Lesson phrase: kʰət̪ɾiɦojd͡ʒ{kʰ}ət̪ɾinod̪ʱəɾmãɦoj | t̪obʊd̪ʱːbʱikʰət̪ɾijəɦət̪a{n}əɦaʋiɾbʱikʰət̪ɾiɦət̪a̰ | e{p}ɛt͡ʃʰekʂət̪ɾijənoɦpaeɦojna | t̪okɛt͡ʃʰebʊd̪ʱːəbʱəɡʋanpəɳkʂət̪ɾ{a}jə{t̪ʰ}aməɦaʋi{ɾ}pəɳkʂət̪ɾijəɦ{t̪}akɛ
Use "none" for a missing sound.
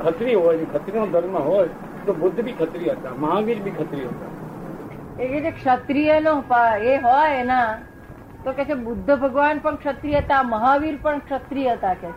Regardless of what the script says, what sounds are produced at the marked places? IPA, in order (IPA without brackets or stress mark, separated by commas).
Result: kʰ, m, k, i, t̪, ɾ, t̪